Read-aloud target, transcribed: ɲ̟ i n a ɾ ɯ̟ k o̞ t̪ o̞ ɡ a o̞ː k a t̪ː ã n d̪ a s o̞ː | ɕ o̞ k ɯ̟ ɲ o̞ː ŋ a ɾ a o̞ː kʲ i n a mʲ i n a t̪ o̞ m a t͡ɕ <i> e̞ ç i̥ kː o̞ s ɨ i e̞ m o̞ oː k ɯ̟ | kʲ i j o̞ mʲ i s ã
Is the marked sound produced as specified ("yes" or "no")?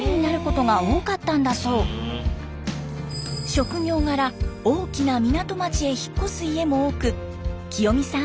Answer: yes